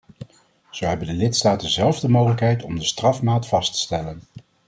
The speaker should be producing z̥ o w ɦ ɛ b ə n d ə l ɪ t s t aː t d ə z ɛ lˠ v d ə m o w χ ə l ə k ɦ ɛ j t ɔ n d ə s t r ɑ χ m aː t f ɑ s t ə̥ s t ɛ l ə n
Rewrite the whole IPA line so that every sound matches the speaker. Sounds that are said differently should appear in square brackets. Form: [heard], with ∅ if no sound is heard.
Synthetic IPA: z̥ o w ɦ ɛ b ə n d ə l ɪ t s t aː t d ə z ɛ lˠ v d ə m o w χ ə l ə k ɦ ɛ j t ɔ [m] d ə s t r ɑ [f] m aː t f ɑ s t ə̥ s t ɛ l ə n